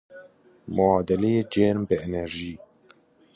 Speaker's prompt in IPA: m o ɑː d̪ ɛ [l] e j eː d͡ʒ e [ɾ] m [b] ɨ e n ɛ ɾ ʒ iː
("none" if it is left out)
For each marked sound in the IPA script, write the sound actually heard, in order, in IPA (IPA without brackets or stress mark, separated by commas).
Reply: l, ɾ, b